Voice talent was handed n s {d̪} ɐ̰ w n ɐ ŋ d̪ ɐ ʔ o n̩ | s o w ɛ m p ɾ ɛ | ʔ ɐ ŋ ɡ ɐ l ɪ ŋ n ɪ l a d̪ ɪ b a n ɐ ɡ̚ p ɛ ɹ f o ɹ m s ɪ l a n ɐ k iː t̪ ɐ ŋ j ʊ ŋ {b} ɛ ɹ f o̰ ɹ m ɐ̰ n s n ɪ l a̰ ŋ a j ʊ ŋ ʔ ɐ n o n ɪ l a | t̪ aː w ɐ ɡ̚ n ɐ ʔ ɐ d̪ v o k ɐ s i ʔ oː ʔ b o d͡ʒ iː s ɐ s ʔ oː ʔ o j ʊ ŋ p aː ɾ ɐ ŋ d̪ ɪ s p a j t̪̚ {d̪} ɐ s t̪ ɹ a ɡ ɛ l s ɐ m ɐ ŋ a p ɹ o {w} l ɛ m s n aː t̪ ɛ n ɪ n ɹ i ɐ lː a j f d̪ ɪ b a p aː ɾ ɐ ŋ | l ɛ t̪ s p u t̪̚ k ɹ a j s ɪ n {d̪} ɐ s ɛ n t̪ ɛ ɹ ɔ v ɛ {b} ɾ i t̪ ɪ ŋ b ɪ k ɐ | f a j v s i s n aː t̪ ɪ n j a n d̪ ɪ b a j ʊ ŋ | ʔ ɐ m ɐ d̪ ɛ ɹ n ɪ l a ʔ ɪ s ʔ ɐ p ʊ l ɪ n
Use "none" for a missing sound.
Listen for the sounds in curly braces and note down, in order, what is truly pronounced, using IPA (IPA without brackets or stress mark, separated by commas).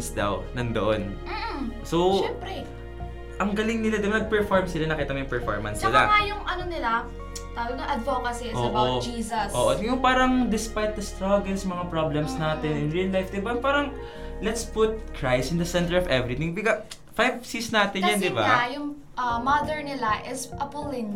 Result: d̪, p, d̪, b, d̪, v